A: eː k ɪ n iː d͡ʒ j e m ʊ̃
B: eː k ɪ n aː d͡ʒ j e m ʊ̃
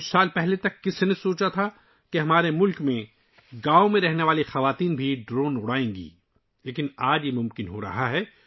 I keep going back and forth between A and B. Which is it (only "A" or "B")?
B